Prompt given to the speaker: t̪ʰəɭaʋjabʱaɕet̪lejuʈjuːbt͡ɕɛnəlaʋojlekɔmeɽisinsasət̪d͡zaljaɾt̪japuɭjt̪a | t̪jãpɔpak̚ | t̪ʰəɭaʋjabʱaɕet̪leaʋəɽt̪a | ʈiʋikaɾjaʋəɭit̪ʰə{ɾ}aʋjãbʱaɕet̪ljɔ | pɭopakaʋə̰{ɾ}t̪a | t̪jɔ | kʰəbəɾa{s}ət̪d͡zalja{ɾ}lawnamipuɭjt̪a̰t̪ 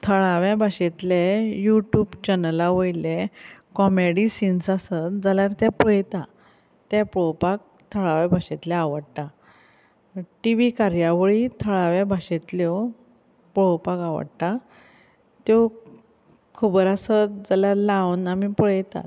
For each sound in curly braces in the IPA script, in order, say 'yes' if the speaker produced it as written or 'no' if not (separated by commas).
no, no, yes, yes